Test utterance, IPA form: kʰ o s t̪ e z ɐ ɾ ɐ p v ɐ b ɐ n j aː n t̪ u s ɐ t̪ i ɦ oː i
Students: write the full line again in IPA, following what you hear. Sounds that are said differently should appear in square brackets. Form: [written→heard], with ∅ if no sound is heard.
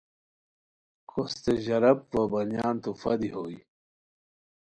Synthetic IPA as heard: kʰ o s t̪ e [z→ʑ] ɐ ɾ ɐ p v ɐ b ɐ n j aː n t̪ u [s→f] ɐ [t̪→d̪] i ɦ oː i